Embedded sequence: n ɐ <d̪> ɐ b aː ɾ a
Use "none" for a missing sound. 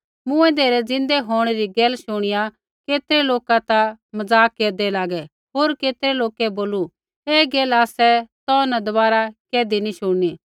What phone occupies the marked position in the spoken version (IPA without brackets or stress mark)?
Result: d̪